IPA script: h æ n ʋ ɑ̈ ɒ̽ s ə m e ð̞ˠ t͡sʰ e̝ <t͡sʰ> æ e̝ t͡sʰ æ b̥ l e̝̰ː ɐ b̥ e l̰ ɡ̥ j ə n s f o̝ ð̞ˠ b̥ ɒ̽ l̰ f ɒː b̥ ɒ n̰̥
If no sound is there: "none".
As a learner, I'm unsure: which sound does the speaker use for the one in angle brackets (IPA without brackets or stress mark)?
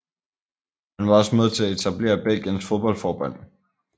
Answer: none